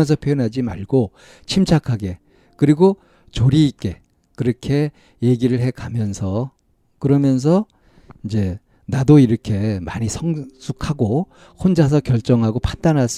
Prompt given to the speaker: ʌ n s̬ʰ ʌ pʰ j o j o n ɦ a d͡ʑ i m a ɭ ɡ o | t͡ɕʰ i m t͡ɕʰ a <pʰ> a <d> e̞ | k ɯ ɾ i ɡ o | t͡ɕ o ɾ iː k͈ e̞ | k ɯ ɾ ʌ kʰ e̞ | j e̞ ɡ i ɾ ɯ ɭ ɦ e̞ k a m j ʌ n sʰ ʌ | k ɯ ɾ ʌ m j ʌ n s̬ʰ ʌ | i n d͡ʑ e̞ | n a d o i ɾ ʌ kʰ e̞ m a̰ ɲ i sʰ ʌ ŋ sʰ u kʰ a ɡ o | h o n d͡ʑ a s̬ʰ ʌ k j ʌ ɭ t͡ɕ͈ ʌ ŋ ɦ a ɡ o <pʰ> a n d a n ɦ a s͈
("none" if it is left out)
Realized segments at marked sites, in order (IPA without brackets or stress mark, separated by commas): kʰ, ɡ, pʰ